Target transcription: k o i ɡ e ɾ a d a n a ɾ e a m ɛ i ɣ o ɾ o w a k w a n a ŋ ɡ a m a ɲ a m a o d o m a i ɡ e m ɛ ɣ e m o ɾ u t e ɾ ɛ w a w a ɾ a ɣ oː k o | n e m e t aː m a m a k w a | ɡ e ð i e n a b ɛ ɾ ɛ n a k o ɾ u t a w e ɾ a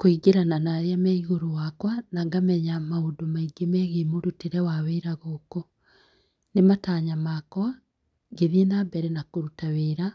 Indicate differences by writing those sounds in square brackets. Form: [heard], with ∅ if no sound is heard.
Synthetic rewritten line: k o i ɡ e ɾ a [n] a n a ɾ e a m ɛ i ɣ o ɾ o w a k w a n a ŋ ɡ a m [ɛ] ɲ a m a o d o m a i ɡ e m ɛ ɣ e m o ɾ u t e ɾ ɛ w a w [e] ɾ a ɣ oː k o | n e m [a] t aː [ɲ] a m a k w a | ɡ e ð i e n a b ɛ ɾ ɛ n a k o ɾ u t a w e ɾ a